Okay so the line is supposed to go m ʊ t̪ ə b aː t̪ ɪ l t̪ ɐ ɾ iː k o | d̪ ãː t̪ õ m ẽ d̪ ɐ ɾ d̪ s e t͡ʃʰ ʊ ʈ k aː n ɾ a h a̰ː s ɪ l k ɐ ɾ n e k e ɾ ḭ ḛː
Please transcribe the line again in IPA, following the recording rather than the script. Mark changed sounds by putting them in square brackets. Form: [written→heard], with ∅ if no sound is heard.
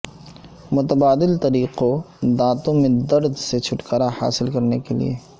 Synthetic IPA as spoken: m ʊ t̪ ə b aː [t̪→d̪] ɪ l t̪ ɐ ɾ iː [k→q] o | d̪ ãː t̪ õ m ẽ d̪ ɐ ɾ d̪ s e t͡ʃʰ ʊ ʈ k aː [n→∅] ɾ a h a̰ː s ɪ l k ɐ ɾ n e k e [ɾ→l] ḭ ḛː